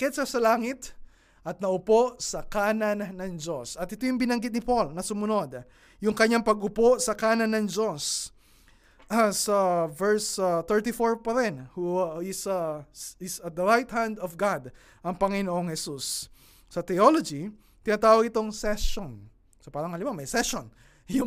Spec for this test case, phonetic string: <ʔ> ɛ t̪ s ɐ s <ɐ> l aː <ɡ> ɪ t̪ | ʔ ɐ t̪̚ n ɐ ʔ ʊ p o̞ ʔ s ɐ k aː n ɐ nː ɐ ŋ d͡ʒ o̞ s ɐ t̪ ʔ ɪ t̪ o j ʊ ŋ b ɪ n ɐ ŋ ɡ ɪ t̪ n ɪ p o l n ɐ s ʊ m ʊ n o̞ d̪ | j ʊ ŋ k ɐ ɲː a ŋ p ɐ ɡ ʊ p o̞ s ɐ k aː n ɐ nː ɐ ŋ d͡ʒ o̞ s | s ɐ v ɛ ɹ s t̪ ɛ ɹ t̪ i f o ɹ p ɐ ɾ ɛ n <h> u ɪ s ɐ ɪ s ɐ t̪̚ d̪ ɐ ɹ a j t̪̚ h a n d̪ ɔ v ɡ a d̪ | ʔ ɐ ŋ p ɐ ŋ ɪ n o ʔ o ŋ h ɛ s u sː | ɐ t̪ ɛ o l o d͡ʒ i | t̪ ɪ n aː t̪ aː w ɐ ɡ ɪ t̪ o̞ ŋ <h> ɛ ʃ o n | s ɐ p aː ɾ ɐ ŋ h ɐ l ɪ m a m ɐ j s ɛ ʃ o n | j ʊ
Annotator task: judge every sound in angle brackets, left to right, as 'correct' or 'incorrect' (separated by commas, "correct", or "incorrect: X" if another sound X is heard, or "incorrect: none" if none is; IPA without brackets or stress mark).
incorrect: k, correct, incorrect: ŋ, correct, incorrect: s